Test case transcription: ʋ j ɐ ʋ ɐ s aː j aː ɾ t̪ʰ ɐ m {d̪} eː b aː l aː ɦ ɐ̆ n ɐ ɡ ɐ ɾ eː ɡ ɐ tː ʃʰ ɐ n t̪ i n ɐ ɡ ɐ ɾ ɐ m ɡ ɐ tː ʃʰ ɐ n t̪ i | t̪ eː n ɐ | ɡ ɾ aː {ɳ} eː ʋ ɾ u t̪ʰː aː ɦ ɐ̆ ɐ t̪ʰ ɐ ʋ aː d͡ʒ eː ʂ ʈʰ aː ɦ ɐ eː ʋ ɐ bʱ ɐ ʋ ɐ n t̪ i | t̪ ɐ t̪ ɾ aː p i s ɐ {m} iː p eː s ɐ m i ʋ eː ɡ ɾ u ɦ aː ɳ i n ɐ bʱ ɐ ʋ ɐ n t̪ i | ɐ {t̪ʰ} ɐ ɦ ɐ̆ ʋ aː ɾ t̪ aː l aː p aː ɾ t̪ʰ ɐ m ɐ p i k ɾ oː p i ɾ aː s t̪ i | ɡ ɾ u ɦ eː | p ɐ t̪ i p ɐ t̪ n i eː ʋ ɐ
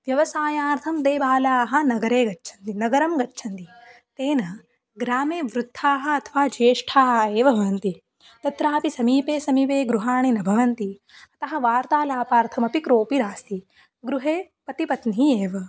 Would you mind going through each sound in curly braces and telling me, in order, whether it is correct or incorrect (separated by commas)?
correct, incorrect, correct, incorrect